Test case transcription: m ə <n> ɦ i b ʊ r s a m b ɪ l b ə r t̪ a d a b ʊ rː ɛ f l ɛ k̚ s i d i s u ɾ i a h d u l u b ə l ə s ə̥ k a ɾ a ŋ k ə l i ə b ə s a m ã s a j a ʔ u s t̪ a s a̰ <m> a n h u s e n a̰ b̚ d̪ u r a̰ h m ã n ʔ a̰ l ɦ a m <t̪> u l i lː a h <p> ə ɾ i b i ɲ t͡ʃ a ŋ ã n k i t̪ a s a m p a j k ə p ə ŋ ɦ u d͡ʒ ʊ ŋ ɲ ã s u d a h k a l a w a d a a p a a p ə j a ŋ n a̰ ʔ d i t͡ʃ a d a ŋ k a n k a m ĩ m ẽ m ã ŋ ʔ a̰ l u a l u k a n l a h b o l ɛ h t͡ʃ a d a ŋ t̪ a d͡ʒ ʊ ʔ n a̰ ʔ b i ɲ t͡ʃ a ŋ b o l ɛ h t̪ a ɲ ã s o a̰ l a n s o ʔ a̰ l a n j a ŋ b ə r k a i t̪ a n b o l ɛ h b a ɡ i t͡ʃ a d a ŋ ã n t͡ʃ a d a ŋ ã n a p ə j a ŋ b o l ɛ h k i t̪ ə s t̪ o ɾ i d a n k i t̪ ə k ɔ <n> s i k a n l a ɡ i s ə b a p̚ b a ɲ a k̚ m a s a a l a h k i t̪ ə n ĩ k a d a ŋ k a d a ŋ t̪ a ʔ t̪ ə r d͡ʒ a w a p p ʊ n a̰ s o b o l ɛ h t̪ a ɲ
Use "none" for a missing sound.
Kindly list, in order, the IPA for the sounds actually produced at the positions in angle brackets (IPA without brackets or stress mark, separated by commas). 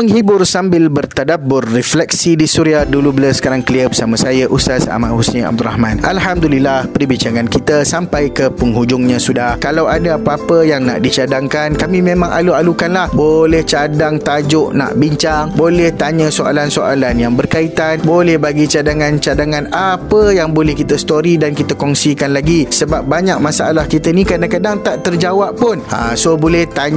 ŋ, m, d̪, p, ŋ